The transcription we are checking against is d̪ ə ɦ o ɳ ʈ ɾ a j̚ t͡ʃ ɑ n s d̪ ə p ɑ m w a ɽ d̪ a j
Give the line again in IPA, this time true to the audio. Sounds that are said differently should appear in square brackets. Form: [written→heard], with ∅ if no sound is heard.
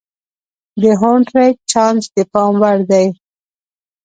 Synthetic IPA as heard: d̪ ə ɦ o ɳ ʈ ɾ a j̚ t͡ʃ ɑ n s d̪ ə p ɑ m w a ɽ d̪ a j